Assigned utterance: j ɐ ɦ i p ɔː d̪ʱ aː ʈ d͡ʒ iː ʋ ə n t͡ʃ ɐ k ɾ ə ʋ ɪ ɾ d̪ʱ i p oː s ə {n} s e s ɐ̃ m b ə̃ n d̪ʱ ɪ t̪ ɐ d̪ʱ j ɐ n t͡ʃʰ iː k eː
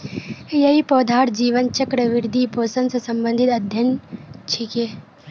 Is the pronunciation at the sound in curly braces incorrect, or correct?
correct